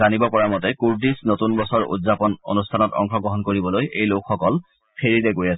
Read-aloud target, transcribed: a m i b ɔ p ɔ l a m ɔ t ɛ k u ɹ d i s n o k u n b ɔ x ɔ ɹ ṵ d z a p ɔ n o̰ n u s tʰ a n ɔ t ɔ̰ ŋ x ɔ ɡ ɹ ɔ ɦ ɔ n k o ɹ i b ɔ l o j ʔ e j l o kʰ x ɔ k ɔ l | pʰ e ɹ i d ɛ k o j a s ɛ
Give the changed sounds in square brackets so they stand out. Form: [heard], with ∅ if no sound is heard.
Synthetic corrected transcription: a [n] i b ɔ p ɔ [ɹ] a m ɔ t ɛ k u ɹ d i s n o [t] u n b ɔ [s] ɔ ɹ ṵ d z a p ɔ n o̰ n u s tʰ a n ɔ t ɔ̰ ŋ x ɔ ɡ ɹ ɔ ɦ ɔ n k o ɹ i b ɔ l o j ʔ e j l o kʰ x ɔ k ɔ l | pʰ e ɹ i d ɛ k o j a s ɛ

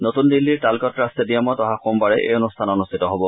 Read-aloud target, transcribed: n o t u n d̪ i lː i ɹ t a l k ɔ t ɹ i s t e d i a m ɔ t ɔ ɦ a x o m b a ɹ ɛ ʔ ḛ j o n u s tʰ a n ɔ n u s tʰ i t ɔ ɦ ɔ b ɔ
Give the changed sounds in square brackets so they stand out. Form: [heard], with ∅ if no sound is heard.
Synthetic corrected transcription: n o t u n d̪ i lː i ɹ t a l k ɔ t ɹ [a] s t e d i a m ɔ t ɔ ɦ a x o m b a ɹ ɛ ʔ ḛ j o n u s tʰ a n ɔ n u s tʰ i t ɔ ɦ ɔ b ɔ

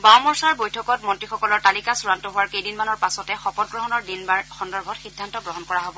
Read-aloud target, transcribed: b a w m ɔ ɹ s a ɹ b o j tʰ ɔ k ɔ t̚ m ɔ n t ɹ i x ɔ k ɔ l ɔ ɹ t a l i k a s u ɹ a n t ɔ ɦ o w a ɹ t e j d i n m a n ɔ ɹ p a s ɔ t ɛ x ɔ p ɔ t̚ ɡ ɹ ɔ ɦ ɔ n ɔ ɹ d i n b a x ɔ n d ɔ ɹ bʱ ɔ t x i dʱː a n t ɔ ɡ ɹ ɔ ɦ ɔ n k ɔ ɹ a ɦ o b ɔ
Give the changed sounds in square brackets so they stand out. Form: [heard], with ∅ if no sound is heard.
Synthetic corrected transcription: b a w m ɔ ɹ s a ɹ b o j tʰ ɔ k ɔ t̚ m ɔ n t ɹ i x ɔ k ɔ l ɔ ɹ t a l i k a s u ɹ a n t ɔ ɦ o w a ɹ [k] e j d i n m a n ɔ ɹ p a s ɔ t ɛ x ɔ p ɔ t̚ ɡ ɹ ɔ ɦ ɔ n ɔ ɹ d i n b a x ɔ n d ɔ ɹ bʱ ɔ t x i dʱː a n t ɔ ɡ ɹ ɔ ɦ ɔ n k ɔ ɹ a ɦ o b ɔ

